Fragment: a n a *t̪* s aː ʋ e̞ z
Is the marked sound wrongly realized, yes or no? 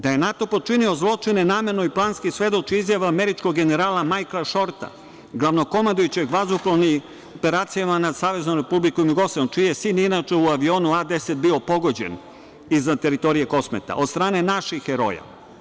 yes